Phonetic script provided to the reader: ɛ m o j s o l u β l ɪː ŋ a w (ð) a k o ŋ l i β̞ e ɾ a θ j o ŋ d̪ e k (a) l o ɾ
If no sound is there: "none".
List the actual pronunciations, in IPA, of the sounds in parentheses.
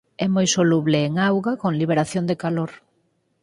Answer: ɣ, a

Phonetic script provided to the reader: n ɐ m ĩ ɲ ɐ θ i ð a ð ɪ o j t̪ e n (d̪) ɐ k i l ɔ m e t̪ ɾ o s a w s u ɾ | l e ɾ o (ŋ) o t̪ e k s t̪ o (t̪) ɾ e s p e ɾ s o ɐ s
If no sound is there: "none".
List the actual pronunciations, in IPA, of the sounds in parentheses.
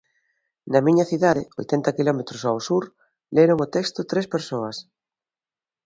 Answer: t̪, ŋ, t̪

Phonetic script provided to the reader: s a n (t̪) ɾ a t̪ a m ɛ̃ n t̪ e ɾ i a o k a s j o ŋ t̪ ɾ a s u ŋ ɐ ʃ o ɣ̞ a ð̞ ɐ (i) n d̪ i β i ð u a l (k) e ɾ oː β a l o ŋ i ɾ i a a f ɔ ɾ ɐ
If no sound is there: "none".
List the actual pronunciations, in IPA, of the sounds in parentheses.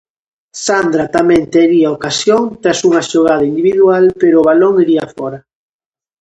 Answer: d̪, i, p

